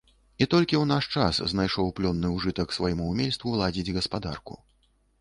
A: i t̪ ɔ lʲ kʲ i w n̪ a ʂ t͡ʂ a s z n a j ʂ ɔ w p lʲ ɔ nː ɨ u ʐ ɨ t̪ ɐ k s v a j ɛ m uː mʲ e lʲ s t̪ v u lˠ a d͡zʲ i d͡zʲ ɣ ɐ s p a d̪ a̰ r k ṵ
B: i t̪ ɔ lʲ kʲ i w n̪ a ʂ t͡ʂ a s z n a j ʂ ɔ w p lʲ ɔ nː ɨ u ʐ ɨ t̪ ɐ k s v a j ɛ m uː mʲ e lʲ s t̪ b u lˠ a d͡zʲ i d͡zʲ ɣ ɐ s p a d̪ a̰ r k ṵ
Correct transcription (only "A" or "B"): A